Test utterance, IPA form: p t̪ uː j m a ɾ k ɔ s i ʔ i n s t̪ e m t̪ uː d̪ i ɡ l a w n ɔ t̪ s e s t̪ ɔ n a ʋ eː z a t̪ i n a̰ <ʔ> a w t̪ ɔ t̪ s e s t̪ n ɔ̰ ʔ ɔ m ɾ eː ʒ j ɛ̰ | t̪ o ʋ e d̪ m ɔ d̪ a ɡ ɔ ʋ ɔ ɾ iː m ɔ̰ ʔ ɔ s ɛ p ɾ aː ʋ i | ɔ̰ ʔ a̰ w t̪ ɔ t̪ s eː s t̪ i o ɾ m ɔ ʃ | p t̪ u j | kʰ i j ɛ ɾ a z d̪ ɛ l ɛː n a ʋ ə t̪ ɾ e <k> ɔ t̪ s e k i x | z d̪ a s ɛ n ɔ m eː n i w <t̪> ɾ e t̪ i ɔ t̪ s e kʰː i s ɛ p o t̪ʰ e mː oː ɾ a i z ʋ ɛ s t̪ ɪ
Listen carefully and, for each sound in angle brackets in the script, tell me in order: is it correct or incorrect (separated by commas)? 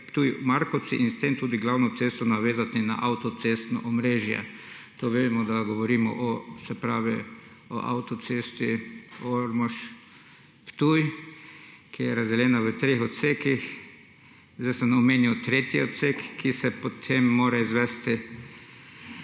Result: correct, incorrect, correct